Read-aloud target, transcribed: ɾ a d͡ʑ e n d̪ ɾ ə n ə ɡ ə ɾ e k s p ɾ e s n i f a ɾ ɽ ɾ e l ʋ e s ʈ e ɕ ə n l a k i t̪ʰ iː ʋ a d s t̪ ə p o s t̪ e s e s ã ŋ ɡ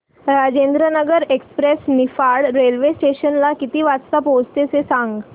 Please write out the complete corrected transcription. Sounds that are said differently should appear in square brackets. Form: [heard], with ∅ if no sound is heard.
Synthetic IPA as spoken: ɾ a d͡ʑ e n d̪ ɾ ə n ə ɡ ə ɾ e k s p ɾ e s n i f a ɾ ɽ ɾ e l ʋ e s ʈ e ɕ ə n l a k i [t̪] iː ʋ a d s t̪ [a] p o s t̪ e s e s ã ŋ ɡ